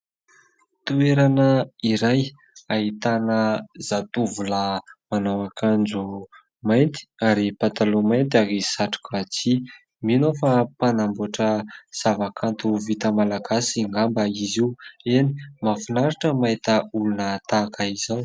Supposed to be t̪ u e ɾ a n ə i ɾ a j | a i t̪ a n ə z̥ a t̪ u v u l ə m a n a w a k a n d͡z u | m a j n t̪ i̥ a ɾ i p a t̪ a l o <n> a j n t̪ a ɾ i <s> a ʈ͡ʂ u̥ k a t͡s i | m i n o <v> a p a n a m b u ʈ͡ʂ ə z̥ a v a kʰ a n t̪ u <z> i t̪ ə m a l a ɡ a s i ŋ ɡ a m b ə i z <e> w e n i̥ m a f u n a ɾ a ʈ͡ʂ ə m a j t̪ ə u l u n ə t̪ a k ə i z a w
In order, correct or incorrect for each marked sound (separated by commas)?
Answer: incorrect, correct, incorrect, incorrect, incorrect